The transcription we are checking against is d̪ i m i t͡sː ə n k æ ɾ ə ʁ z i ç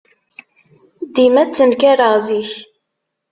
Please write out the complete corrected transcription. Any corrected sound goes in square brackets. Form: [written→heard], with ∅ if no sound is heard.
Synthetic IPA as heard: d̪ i m [i→æ] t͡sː ə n k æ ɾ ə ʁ z i ç